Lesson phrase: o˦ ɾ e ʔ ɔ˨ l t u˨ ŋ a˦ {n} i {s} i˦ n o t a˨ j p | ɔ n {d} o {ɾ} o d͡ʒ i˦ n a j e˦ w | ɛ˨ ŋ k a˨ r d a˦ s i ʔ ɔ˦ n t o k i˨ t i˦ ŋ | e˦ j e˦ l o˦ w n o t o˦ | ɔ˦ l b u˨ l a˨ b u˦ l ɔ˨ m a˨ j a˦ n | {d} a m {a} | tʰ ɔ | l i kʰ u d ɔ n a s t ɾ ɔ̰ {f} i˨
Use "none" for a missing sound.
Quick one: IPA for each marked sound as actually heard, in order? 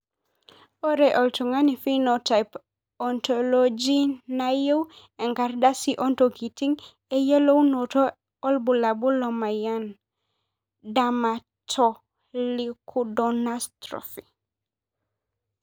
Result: n, f, t, l, d, a, f

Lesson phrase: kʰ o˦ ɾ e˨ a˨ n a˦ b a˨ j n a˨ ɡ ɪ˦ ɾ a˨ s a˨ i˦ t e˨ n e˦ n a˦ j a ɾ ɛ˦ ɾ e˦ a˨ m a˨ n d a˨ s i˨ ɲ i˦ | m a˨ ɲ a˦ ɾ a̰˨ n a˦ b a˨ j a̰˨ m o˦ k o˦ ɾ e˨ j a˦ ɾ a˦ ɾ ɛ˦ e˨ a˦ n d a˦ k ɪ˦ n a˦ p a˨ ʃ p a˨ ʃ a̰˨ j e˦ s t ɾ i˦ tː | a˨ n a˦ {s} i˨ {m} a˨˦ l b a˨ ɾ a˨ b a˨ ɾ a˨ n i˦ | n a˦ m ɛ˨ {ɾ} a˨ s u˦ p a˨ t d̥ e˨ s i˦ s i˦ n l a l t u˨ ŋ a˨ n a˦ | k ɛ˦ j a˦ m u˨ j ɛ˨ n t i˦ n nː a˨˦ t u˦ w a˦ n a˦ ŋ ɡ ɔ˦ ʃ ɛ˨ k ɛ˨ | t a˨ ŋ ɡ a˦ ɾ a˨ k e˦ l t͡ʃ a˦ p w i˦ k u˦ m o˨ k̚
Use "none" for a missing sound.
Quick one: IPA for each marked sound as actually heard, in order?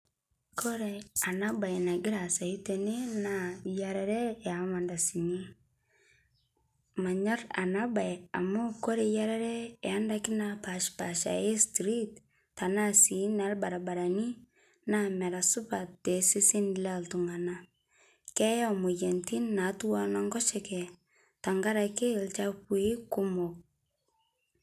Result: s, n, ɾ

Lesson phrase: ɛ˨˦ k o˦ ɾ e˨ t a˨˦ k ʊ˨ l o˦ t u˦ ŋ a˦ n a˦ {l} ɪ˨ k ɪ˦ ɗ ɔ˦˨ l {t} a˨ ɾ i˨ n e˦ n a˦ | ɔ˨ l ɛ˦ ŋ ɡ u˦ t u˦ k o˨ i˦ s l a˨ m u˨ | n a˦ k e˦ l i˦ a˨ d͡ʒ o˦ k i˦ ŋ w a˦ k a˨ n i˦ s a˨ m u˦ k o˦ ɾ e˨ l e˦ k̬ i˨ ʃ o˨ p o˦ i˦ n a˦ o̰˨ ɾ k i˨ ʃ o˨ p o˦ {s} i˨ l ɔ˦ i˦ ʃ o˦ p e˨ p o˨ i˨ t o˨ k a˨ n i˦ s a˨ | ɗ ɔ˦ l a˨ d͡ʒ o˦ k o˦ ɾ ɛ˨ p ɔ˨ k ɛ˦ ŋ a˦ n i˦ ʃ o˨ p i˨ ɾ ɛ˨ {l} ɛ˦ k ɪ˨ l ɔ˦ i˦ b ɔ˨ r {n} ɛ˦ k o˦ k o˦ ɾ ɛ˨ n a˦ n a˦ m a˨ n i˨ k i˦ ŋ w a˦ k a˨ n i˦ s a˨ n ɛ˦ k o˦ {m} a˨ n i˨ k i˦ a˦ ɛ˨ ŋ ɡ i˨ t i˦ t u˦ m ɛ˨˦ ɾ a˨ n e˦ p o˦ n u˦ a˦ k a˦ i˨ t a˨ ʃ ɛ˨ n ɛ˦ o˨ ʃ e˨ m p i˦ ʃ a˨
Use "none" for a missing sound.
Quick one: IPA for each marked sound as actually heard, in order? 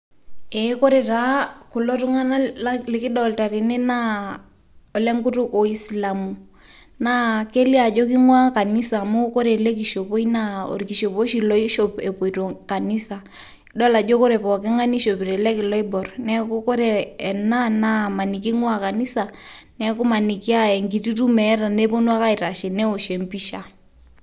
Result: l, t, ʃ, l, n, m

